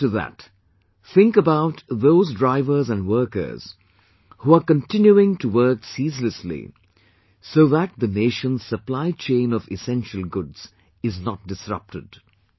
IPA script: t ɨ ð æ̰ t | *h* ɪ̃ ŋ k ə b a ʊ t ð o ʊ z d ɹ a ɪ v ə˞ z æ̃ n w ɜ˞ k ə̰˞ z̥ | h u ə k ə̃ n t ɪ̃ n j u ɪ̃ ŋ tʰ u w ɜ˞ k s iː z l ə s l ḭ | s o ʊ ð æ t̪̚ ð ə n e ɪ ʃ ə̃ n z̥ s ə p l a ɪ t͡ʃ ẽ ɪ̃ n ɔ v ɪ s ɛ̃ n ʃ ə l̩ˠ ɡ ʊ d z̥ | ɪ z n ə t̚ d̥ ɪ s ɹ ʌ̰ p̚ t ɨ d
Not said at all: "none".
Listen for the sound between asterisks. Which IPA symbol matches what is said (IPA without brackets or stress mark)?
θ